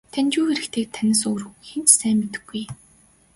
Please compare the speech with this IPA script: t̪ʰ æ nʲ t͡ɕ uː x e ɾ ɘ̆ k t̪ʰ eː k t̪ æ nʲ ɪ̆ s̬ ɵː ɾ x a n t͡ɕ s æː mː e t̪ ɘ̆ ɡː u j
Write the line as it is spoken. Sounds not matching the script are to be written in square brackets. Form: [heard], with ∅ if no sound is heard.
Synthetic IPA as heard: t̪ʰ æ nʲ t͡ɕ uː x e ɾ ɘ̆ k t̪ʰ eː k [t̪ʰ] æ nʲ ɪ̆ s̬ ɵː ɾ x [e] n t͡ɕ s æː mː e t̪ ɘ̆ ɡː u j